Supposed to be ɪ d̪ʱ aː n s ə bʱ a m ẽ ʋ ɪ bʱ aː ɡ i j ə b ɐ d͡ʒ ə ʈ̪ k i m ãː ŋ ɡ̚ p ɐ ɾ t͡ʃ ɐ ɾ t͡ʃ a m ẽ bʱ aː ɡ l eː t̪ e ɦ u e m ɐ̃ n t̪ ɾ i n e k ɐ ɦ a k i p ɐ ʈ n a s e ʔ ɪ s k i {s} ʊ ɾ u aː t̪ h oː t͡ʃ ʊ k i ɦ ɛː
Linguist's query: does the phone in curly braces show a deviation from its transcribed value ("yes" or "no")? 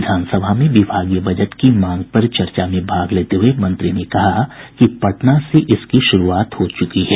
yes